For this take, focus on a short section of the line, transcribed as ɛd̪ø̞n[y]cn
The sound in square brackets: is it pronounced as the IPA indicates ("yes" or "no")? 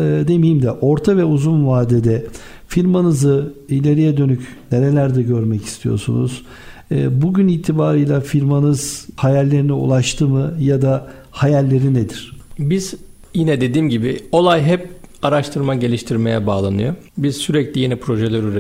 yes